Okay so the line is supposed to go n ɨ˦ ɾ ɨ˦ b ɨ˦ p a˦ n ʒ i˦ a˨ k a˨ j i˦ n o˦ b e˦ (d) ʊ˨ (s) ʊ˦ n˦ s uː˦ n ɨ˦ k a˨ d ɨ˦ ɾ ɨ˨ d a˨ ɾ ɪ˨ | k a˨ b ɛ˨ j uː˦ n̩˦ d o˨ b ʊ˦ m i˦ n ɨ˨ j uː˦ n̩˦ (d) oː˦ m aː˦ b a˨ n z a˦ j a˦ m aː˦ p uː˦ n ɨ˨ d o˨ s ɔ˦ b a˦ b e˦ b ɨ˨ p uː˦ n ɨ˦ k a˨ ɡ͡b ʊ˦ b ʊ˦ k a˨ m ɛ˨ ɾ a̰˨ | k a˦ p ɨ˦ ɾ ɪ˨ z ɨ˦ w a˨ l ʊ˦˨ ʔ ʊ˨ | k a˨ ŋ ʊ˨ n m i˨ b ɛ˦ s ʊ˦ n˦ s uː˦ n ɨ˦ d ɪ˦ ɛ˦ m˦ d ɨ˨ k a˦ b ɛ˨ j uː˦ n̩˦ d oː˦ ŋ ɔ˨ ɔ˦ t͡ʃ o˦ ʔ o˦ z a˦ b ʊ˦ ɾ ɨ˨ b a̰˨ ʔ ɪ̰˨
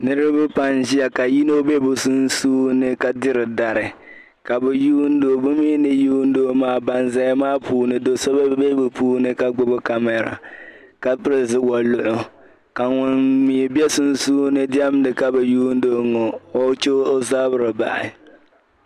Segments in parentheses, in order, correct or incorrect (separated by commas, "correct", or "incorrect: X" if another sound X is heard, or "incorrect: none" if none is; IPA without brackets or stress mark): incorrect: b, correct, correct